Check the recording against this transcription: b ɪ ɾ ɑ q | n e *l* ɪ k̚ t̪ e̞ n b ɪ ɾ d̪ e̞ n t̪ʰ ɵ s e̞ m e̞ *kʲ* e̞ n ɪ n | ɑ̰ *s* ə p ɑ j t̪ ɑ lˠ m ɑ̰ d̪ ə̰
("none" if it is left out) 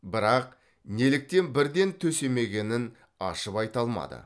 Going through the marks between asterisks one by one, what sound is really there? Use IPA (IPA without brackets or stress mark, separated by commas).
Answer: l, ɡʲ, ʃ